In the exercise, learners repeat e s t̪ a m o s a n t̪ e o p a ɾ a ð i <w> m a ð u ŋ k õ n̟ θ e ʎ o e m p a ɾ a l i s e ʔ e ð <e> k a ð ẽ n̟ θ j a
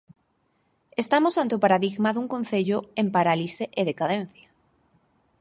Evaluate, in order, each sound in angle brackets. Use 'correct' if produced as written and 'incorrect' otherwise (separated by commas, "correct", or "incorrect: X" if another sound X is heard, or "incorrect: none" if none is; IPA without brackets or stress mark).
incorrect: ɣ, correct